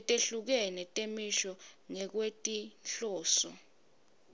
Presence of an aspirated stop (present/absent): absent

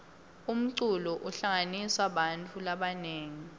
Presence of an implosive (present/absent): present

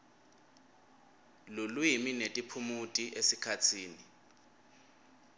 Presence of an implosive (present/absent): absent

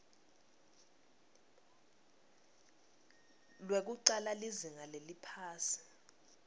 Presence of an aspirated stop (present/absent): present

